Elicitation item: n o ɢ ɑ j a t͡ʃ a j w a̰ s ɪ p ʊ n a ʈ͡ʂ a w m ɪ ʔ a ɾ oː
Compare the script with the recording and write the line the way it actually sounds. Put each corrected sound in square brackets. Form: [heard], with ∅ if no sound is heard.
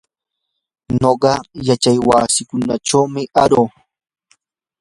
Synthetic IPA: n o ɢ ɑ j a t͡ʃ a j w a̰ s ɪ [k] ʊ n a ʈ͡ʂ a w m ɪ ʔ a ɾ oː